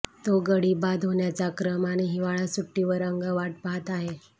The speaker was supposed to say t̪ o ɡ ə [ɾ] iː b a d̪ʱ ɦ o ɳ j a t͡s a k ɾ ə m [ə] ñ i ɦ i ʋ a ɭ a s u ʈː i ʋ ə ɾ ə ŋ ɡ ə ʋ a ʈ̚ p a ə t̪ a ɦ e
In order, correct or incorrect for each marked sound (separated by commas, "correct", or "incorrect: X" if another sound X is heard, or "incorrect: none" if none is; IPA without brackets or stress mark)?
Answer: incorrect: ɽ, incorrect: a